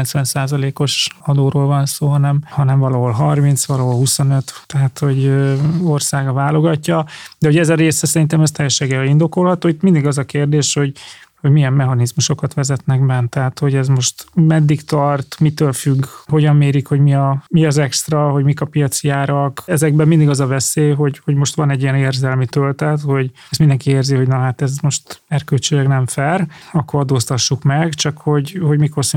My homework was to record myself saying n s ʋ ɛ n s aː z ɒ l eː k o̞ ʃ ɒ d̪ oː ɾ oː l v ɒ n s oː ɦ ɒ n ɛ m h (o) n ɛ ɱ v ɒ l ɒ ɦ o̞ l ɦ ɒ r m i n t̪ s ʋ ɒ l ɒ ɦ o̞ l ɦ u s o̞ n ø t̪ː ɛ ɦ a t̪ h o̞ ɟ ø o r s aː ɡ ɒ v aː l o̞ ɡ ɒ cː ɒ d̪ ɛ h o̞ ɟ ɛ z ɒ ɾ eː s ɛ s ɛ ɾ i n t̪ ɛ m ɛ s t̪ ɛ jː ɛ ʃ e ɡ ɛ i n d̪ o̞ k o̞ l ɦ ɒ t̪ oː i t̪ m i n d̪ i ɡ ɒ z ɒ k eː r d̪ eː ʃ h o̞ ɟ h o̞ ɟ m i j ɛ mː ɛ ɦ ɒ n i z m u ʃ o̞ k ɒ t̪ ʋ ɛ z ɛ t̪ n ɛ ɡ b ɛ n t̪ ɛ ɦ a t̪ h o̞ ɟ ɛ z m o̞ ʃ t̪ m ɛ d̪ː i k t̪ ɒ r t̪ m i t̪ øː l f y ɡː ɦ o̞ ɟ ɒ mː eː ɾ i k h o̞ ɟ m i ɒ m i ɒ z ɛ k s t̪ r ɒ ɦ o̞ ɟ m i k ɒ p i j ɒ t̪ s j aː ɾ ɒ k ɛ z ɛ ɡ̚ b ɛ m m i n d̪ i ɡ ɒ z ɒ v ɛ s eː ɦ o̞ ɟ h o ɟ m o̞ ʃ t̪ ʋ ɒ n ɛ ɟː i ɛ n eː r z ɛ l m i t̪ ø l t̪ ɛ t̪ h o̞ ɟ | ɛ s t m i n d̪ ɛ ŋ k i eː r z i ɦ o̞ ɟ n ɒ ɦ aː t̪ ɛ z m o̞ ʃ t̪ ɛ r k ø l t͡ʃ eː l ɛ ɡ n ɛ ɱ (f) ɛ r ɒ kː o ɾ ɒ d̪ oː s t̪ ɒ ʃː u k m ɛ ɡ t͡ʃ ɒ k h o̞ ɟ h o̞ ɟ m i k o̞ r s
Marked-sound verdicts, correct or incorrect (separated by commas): incorrect, correct